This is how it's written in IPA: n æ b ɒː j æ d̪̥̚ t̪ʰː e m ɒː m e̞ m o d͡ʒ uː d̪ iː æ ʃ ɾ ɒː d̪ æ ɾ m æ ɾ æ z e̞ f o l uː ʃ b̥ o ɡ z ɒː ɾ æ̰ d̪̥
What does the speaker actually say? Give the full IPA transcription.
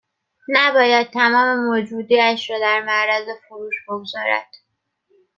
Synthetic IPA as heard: n æ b ɒː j æ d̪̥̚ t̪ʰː æ m ɒː m e̞ m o d͡ʒ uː d̪ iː æ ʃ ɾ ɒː d̪ æ ɾ m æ ɾ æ z e̞ f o ɾ uː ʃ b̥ o ɡ z ɒː ɾ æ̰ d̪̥